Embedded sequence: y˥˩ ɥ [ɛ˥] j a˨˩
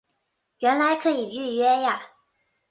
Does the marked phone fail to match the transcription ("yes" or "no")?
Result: no